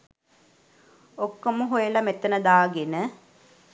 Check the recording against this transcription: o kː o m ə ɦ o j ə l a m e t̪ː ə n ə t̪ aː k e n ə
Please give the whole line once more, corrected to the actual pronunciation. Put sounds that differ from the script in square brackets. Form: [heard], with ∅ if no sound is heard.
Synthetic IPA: o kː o m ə ɦ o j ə l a m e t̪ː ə n ə [d̪] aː [ɡ] e n ə